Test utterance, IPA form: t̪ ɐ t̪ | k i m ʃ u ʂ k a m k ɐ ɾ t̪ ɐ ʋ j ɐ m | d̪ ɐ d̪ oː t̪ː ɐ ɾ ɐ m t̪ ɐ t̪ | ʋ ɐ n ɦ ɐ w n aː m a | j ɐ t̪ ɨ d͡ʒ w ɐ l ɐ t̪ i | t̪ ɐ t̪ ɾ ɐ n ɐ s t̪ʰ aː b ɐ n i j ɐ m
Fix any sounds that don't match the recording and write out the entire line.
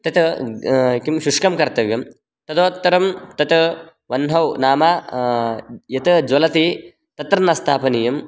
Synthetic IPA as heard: t̪ ɐ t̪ | k i m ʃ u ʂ k ɐ m k ɐ ɾ t̪ ɐ ʋ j ɐ m | t̪ ɐ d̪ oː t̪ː ɐ ɾ ɐ m t̪ ɐ t̪ | ʋ ɐ n ɦ ɐ w n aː m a | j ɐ t̪ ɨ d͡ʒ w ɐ l ɐ t̪ i | t̪ ɐ t̪ ɾ ɐ n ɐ s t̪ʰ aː p ɐ n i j ɐ m